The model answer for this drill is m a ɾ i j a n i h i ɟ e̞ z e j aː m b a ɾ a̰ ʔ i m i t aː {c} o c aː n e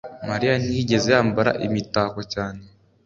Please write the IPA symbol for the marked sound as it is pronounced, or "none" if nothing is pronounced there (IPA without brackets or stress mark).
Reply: k